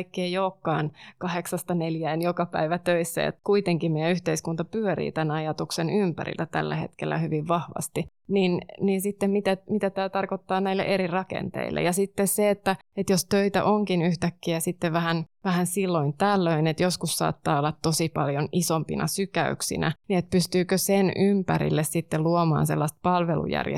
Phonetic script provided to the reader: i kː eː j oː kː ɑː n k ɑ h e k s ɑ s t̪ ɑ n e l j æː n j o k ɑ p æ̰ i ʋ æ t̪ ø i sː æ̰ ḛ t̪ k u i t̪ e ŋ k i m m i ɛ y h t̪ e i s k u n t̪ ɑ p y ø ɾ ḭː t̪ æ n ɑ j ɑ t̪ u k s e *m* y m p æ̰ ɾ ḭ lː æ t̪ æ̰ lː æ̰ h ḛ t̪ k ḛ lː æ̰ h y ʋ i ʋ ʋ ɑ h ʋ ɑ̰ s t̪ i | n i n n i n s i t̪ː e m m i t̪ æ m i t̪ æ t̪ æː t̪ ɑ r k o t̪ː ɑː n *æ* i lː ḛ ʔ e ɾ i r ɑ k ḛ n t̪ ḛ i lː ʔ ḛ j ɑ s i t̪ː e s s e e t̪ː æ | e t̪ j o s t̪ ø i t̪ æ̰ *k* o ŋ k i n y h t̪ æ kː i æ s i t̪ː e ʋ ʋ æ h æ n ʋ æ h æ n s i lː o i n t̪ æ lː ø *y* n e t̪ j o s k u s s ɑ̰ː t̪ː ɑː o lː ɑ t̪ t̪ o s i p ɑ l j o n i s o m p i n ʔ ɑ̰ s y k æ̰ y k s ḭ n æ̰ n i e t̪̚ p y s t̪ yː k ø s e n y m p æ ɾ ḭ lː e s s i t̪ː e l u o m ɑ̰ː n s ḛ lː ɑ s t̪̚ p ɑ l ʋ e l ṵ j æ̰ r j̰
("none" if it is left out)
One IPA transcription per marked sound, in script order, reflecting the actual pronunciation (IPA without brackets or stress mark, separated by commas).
n, æ, ʔ, i